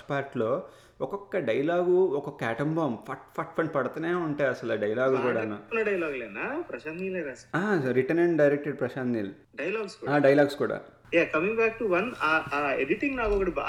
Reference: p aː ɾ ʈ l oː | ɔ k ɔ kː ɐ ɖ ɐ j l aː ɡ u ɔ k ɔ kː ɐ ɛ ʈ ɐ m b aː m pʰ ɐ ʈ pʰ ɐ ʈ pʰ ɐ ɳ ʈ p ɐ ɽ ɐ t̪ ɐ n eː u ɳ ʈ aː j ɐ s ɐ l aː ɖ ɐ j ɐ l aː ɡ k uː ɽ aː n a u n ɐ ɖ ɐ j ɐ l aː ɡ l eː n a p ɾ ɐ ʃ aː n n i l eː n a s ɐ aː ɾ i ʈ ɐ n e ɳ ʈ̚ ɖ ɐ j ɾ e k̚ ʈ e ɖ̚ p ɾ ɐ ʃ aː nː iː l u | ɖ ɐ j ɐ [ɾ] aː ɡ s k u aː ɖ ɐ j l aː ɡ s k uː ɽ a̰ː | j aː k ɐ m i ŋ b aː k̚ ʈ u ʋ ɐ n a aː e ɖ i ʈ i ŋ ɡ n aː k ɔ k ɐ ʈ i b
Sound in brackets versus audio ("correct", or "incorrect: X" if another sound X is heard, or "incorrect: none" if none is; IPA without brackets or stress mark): incorrect: l